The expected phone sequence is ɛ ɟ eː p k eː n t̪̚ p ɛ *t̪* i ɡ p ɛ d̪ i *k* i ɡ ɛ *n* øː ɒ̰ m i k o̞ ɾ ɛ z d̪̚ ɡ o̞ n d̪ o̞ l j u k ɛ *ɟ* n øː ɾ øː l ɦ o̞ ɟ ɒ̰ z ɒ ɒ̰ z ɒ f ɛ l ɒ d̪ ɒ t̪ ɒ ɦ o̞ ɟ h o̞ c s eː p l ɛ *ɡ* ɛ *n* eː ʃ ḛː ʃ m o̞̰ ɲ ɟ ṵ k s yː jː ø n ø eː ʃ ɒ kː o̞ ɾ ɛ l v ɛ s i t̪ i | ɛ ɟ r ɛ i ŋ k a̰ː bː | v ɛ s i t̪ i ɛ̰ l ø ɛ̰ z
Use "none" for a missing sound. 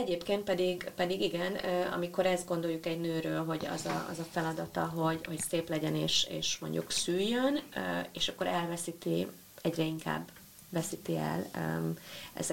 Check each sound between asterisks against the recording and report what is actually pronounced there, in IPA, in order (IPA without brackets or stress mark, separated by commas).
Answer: d̪, ɡ, n, ɟ, ɟ, n